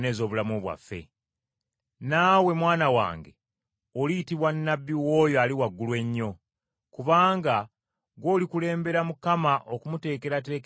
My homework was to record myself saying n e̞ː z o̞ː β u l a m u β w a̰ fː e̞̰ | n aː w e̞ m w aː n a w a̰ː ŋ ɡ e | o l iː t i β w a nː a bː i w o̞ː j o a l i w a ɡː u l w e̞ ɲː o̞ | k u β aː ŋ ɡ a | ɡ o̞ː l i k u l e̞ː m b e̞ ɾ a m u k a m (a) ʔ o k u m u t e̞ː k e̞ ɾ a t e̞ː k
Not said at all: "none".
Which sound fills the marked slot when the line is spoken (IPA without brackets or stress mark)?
a